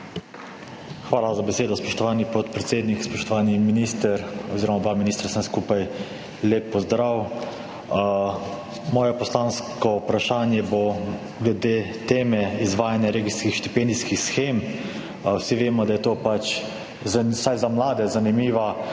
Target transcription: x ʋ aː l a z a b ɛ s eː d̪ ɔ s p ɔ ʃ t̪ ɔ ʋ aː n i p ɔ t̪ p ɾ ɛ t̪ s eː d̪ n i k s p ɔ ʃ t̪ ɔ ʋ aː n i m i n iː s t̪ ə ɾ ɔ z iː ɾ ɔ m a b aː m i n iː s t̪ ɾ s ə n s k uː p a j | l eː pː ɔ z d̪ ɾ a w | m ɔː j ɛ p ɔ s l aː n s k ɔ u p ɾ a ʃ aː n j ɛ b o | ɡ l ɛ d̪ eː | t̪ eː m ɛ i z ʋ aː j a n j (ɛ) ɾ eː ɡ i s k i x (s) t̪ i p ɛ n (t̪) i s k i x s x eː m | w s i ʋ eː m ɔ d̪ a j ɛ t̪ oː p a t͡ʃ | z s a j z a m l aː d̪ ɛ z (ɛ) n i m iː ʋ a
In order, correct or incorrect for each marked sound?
incorrect: a, incorrect: ʃ, incorrect: d̪, incorrect: a

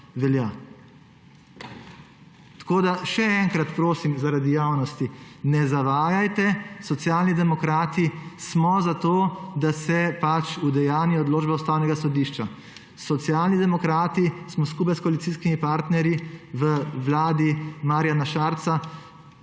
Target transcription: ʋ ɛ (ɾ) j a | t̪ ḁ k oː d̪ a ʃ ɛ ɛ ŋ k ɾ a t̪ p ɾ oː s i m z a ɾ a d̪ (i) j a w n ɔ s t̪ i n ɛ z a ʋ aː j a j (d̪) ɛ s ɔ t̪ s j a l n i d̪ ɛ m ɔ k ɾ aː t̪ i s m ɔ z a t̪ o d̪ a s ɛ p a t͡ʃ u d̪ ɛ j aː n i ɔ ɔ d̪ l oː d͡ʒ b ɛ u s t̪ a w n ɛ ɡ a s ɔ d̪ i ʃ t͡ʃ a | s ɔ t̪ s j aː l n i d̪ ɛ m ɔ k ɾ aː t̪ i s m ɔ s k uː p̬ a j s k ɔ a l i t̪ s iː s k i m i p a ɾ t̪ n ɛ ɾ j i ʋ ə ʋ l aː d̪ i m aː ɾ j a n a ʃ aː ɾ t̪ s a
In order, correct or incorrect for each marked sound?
incorrect: l, correct, incorrect: t̪

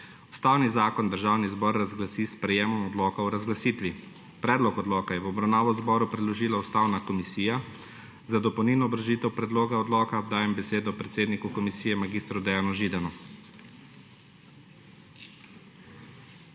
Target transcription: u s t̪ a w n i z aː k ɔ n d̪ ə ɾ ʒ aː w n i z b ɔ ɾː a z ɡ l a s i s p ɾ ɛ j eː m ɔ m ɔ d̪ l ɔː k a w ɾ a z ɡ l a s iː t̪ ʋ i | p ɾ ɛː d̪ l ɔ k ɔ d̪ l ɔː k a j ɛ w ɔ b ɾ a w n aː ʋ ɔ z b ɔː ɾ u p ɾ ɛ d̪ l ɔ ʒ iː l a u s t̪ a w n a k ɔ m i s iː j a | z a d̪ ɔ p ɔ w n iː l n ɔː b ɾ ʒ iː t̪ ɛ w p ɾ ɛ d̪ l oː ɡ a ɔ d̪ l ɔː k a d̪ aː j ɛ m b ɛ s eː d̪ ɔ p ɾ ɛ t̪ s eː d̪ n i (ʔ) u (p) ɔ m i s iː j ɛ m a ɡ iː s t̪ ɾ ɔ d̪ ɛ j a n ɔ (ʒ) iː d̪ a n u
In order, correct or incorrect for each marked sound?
incorrect: k, incorrect: k, correct

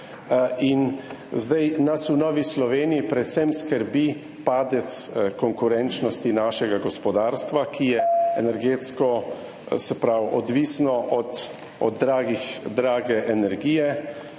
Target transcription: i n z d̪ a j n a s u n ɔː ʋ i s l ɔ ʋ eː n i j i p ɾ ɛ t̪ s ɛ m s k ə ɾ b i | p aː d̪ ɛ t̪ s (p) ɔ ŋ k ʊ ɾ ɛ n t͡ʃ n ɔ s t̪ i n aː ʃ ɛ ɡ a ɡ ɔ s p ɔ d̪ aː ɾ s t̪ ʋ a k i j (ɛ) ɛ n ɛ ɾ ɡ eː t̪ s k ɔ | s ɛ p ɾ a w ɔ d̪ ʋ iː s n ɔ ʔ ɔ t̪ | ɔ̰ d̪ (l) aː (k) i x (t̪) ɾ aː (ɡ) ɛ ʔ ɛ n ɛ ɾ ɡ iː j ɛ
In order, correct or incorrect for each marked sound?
incorrect: k, correct, incorrect: ɾ, incorrect: ɡ, incorrect: d̪, correct

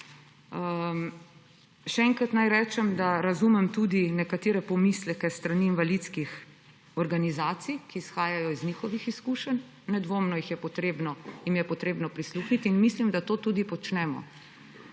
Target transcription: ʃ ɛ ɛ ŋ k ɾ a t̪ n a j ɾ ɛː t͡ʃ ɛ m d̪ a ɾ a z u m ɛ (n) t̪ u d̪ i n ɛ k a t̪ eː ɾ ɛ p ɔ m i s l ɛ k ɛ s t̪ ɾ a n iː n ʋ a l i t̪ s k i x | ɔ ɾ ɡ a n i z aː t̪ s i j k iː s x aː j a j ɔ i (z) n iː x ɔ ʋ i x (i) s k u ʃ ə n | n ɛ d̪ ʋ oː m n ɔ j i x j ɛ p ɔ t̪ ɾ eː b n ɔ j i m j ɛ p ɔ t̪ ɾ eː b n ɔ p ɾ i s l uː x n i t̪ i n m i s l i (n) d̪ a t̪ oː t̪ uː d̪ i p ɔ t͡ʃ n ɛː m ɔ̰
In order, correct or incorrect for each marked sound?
incorrect: m, correct, correct, incorrect: m

